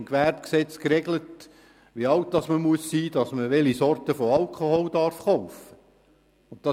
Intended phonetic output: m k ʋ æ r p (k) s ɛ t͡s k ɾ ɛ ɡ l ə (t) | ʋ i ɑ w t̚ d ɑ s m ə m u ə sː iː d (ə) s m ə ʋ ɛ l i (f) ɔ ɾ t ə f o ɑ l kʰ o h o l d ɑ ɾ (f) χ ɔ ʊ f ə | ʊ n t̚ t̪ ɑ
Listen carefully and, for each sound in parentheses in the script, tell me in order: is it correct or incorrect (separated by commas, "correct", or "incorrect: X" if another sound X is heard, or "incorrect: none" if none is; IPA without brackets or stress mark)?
correct, correct, incorrect: ɑ, incorrect: s, correct